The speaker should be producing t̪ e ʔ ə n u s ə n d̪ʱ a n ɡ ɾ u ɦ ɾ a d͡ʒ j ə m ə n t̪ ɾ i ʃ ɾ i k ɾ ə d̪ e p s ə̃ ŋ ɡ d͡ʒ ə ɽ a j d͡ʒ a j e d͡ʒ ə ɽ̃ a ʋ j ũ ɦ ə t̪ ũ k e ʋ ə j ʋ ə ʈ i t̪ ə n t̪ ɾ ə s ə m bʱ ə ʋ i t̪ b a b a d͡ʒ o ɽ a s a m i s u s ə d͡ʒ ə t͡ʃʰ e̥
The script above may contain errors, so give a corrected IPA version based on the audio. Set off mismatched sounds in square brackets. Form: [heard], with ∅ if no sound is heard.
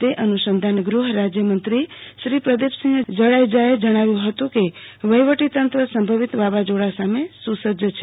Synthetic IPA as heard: t̪ e ʔ ə n u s ə n d̪ʱ a n ɡ ɾ u ɦ ɾ a d͡ʒ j ə m ə n t̪ ɾ i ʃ ɾ i [p] ɾ ə d̪ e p s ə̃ ŋ ɡ d͡ʒ ə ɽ a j d͡ʒ a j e d͡ʒ ə ɽ̃ a ʋ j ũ ɦ ə t̪ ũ k e ʋ ə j ʋ ə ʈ i t̪ ə n t̪ ɾ ə s ə m bʱ ə ʋ i t̪ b a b a d͡ʒ o ɽ a s a m [e] s u s ə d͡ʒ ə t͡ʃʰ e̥

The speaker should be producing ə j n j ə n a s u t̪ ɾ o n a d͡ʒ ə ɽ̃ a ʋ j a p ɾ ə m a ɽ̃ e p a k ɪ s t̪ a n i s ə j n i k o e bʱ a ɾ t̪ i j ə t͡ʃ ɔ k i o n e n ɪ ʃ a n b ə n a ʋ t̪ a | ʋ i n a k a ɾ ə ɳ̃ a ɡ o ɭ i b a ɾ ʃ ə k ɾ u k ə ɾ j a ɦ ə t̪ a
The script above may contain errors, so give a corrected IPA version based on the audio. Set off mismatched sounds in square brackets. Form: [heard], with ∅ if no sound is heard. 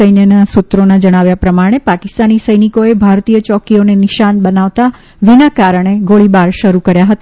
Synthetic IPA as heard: ə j n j ə n a s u t̪ ɾ o n a d͡ʒ ə ɽ̃ a ʋ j a p ɾ ə m a ɽ̃ e p a k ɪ s t̪ a n i s ə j n i k o e bʱ a ɾ t̪ i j ə t͡ʃ ɔ k i o n e n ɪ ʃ a n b ə n a ʋ t̪ a | ʋ i n a k a ɾ ə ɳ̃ [e] ɡ o ɭ i b a ɾ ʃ ə [∅] ɾ u k ə ɾ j a ɦ ə t̪ a

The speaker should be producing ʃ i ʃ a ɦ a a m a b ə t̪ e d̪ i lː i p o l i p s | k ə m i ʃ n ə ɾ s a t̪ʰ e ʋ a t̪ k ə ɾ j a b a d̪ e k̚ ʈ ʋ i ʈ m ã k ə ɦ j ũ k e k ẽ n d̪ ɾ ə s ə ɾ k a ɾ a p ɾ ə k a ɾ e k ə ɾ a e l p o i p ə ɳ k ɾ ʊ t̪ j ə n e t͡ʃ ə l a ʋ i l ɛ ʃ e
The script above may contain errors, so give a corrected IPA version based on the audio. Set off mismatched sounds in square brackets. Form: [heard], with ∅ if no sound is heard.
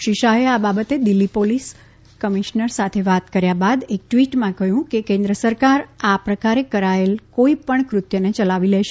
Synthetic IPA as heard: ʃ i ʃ a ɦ [e] a [b] a b ə t̪ e d̪ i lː i p o l i [∅] s | k ə m i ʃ n ə ɾ s a t̪ʰ e ʋ a t̪ k ə ɾ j a b a d̪ e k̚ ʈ ʋ i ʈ m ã k ə ɦ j ũ k e k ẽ n d̪ ɾ ə s ə ɾ k a ɾ a p ɾ ə k a ɾ e k ə ɾ a e l [k] o i p ə ɳ k ɾ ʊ t̪ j ə n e t͡ʃ ə l a ʋ i l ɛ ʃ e

